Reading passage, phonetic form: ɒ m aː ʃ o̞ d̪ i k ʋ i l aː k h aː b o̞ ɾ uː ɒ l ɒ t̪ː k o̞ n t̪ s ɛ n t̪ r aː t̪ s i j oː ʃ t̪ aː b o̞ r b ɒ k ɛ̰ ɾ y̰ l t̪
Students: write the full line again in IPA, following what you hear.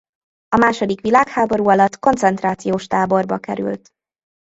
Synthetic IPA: ɒ m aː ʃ o̞ d̪ i k ʋ i l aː k h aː b o̞ ɾ uː ɒ l ɒ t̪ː k o̞ n t̪ s ɛ n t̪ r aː t̪ s i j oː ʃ t̪ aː b o̞ r b ɒ k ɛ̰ ɾ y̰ l t̪